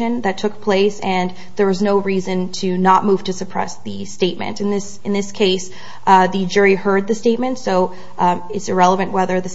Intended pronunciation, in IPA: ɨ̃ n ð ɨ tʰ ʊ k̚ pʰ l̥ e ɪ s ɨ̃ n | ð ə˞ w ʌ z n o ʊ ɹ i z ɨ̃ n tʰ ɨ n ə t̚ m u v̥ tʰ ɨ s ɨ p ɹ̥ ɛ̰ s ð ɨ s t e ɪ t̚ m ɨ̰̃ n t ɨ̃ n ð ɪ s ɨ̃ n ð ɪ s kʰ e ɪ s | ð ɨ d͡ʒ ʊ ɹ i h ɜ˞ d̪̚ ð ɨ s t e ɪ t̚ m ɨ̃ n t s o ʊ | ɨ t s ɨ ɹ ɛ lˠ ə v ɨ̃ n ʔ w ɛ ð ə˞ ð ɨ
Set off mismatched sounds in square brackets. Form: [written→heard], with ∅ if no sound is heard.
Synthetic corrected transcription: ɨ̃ n ð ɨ tʰ ʊ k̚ pʰ l̥ e ɪ s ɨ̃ n | ð ə˞ w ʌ z n o ʊ ɹ i z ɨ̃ n tʰ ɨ n ə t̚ m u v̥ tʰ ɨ s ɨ [p→pʰ] ɹ̥ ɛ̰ s ð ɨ s t e ɪ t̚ m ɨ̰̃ n t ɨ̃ n ð ɪ s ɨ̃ n ð ɪ s kʰ e ɪ s | ð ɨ d͡ʒ ʊ ɹ i h ɜ˞ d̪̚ ð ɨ s t e ɪ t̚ m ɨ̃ n t s o ʊ | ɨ t s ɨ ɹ ɛ lˠ ə v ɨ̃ n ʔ w ɛ ð ə˞ ð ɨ